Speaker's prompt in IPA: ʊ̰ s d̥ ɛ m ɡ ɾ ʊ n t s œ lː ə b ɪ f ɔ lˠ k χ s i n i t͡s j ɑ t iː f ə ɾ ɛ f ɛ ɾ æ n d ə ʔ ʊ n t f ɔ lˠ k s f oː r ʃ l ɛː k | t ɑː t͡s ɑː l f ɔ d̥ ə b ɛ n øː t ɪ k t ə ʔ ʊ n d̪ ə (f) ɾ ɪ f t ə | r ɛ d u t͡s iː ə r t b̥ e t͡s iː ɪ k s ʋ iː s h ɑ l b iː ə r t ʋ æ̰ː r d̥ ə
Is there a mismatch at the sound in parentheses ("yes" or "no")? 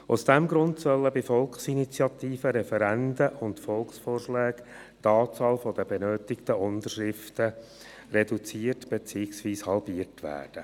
yes